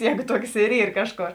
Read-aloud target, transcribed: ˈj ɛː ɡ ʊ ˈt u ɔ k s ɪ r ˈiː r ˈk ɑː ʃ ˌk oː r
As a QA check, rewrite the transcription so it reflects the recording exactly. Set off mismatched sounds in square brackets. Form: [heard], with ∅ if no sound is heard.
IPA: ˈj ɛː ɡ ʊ ˈt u ɔ k s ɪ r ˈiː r ˈk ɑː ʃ ˌk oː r